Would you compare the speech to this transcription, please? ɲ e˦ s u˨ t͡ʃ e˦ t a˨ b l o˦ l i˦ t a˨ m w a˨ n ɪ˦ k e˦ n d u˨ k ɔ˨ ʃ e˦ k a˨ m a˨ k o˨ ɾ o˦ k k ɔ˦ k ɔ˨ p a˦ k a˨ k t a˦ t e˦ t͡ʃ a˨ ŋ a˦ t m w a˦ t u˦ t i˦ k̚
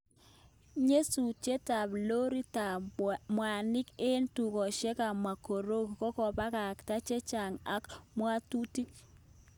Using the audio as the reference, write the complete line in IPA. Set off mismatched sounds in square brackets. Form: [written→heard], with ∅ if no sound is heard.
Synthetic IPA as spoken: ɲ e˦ s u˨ t͡ʃ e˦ t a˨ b l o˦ [l→ɾ] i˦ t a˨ m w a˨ n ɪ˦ k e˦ n [d→t] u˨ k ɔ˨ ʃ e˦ k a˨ m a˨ k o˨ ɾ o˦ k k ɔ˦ k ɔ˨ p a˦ k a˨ k t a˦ [t→t͡ʃ] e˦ t͡ʃ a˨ ŋ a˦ [t→k] m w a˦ t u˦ t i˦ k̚